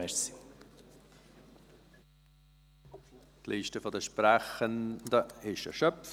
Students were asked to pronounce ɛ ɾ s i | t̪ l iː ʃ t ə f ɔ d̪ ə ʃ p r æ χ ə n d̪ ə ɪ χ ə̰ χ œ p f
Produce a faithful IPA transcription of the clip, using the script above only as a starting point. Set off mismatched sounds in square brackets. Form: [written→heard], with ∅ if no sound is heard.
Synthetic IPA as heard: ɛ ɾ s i | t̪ l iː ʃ t ə f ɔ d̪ ə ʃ p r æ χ ə n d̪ ə ɪ [χ→ʃ] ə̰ [χ→ʃ] œ p f